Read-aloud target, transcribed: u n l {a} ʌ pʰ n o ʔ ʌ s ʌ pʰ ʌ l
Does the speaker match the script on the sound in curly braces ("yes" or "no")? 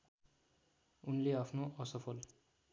no